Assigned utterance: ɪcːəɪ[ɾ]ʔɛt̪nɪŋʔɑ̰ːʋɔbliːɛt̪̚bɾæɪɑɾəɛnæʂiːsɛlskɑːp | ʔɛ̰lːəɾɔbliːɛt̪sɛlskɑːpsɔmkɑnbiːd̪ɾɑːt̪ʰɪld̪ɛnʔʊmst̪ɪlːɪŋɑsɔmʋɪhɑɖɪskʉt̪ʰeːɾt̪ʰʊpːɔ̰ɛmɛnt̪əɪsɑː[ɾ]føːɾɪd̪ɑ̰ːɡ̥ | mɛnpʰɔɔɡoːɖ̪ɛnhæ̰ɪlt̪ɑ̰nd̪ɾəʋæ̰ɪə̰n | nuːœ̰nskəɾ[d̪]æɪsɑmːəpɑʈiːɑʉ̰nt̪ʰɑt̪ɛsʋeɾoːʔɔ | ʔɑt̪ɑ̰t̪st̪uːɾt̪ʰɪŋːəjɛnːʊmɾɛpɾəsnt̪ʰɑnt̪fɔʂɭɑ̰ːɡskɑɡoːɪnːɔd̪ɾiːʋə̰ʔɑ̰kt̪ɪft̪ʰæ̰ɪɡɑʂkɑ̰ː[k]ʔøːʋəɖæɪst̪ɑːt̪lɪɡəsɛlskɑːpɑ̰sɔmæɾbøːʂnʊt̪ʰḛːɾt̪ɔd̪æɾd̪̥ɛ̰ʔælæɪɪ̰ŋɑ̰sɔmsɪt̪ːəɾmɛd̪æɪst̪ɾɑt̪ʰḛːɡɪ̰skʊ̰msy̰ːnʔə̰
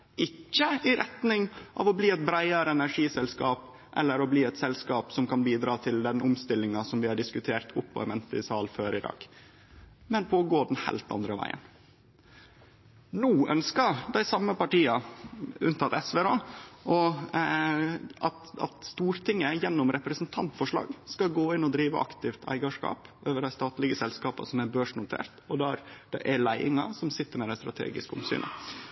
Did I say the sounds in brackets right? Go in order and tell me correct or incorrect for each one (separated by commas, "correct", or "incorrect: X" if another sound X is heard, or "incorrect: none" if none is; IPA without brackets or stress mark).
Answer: correct, incorrect: l, correct, incorrect: p